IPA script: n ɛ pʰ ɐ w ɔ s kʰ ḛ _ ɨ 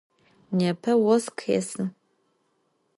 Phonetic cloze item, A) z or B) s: B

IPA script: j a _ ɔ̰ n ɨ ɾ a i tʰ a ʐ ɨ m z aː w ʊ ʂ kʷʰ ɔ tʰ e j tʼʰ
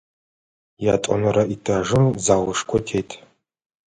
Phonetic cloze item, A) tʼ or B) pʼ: A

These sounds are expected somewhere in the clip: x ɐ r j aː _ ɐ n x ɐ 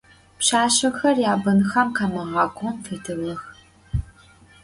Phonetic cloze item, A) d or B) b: B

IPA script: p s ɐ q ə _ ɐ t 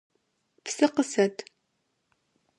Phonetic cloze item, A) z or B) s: B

